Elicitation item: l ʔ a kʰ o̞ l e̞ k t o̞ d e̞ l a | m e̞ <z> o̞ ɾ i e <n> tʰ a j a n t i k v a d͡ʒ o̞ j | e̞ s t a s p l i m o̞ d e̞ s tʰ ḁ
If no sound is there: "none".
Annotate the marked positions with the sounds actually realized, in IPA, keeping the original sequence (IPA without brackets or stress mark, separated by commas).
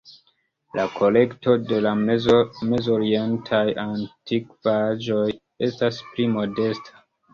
z, n